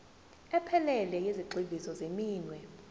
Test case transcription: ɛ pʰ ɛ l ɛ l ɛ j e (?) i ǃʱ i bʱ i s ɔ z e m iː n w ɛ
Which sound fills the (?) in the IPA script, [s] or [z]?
z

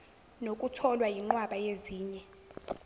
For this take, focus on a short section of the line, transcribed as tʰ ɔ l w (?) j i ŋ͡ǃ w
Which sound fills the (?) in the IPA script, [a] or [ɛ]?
a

